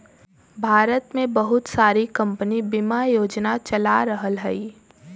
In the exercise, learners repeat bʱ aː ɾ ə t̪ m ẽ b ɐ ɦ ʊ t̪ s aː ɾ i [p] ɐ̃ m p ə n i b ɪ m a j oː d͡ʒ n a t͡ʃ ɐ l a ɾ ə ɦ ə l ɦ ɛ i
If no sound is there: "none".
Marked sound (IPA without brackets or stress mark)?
k